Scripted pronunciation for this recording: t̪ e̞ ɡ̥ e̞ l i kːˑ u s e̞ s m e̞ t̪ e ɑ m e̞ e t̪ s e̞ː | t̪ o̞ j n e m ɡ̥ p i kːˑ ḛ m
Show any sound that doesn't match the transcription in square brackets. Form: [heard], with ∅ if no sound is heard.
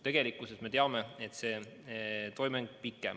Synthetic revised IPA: t̪ e̞ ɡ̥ e̞ l i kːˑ u s e̞ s m e̞ t̪ e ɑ m e̞ e t̪ s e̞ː | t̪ o̞ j [m] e [ŋ] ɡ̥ p i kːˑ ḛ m